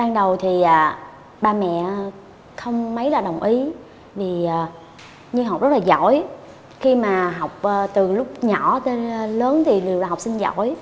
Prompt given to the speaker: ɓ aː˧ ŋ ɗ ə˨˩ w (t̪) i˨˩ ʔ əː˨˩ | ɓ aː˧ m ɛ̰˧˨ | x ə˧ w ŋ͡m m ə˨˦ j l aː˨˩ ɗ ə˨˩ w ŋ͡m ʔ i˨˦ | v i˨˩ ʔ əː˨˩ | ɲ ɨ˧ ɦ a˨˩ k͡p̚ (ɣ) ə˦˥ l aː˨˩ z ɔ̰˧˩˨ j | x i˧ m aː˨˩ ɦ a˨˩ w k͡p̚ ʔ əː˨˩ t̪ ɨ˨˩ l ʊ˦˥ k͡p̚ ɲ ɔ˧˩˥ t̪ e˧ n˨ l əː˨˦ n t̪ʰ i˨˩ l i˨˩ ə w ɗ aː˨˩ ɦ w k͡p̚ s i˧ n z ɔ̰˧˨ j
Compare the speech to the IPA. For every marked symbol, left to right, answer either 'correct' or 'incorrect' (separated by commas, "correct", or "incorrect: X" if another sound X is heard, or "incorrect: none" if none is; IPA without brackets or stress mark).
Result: incorrect: t̪ʰ, incorrect: z